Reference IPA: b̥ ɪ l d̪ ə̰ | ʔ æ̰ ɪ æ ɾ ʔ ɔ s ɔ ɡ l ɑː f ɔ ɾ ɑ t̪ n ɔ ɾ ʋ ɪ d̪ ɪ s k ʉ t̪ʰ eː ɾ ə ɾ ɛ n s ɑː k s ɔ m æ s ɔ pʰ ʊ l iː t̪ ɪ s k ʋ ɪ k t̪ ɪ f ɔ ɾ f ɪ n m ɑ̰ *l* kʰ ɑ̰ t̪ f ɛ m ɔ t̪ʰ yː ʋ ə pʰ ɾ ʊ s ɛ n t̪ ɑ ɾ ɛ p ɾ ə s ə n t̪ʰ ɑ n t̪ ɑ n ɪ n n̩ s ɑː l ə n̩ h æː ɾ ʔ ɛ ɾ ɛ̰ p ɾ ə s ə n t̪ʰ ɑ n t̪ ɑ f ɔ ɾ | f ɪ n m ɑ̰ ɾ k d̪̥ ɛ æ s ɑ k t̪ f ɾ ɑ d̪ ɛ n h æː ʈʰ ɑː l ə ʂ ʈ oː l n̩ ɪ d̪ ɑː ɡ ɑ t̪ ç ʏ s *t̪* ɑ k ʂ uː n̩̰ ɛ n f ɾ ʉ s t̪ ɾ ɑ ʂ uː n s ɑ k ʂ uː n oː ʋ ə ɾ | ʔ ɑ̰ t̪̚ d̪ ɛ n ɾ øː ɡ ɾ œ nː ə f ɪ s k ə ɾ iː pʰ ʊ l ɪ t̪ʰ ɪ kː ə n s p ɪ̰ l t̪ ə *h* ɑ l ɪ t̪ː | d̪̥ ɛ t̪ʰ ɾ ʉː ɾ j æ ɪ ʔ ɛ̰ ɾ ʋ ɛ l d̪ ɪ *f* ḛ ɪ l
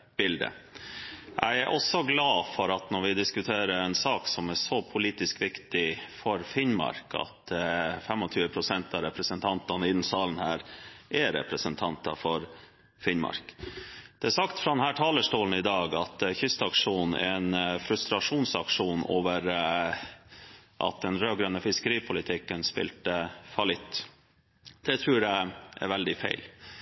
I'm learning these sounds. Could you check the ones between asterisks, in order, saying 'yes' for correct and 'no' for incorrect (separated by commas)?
no, yes, no, yes